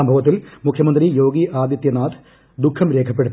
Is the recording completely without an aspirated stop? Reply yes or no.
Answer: no